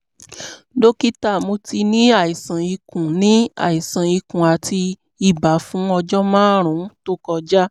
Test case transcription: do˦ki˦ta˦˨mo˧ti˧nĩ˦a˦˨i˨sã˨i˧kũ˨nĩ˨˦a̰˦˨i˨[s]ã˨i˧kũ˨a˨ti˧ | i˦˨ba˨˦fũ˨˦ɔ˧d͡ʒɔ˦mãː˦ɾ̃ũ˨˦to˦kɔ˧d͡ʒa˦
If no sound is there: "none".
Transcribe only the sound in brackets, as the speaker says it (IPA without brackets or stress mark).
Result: s